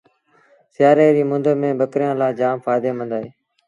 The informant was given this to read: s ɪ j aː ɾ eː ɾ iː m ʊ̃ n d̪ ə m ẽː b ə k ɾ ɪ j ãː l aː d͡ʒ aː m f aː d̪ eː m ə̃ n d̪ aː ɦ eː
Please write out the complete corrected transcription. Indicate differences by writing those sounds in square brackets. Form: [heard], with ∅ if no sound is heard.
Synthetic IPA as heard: s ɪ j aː ɾ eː ɾ iː m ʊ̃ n d̪ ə m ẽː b ə k ɾ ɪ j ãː l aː d͡ʒ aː m f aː d̪ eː m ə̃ n d̪ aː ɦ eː